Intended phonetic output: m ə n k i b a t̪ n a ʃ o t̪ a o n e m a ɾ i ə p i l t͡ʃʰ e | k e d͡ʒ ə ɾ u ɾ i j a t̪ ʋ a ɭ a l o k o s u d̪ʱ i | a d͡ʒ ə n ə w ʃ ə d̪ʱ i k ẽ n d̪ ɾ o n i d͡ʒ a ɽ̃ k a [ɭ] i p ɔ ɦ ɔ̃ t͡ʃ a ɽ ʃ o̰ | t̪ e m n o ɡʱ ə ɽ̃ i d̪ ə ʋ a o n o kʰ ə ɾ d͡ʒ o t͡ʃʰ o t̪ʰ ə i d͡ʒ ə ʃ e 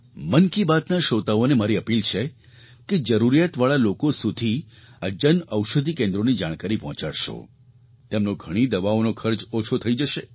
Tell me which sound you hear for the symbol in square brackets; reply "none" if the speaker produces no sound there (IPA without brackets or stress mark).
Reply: ɾ